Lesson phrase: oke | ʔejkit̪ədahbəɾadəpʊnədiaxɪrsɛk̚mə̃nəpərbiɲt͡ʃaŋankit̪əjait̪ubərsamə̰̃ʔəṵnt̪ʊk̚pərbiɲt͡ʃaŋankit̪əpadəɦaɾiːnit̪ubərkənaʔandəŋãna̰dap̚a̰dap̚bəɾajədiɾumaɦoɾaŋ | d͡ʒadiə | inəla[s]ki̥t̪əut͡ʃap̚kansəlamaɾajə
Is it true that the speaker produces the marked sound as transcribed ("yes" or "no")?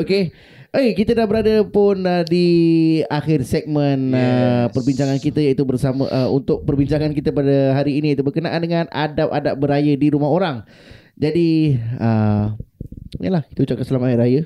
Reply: no